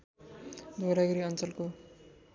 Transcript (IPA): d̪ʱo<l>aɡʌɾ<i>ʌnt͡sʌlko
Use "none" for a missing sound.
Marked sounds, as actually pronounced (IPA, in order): ɾ, i

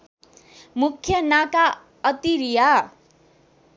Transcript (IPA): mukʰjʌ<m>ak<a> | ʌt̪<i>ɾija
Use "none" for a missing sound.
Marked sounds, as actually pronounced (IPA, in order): n, a, i

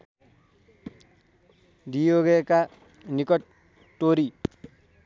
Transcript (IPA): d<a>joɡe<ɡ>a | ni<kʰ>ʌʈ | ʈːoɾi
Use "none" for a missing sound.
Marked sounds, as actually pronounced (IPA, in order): i, k, k

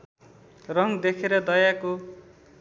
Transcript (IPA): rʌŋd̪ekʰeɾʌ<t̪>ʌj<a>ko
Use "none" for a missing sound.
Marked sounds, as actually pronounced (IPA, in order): d̪, a

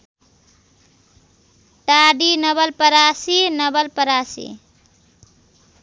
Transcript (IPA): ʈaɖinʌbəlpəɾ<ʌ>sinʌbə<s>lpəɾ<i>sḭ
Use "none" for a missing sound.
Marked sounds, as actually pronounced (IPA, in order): a, none, a

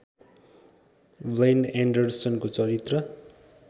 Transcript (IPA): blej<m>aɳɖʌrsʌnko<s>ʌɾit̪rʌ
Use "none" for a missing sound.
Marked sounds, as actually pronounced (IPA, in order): n, t͡s

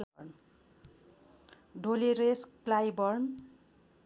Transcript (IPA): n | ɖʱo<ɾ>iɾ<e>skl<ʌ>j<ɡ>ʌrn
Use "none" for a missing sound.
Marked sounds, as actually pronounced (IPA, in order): l, e, a, b

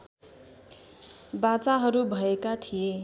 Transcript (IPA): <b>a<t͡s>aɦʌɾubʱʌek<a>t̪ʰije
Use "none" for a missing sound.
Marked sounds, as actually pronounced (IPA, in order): b, t͡s, a

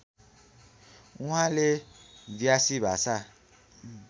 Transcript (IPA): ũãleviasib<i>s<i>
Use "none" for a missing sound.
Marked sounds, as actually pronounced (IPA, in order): a, a

